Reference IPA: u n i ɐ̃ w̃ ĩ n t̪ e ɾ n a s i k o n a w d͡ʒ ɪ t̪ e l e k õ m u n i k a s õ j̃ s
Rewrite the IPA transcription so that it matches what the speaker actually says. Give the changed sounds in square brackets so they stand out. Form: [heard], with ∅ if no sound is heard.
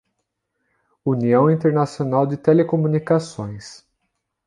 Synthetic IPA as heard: u n i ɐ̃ w̃ ĩ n t̪ e ɾ n a s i [∅] o n a w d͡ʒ ɪ t̪ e l e k [o] m u n i k a s õ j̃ s